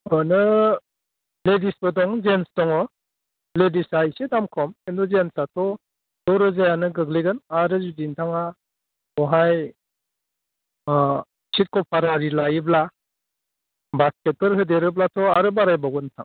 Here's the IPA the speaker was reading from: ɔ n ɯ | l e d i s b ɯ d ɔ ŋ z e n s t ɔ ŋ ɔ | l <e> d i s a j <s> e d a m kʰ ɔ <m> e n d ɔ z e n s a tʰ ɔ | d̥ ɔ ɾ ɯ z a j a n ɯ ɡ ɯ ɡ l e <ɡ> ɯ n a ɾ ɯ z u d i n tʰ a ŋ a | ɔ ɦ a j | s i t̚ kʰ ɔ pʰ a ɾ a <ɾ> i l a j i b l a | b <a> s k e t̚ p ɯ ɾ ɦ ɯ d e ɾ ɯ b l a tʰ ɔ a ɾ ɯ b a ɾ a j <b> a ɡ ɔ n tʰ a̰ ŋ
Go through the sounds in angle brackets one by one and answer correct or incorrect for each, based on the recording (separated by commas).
correct, correct, correct, correct, correct, correct, correct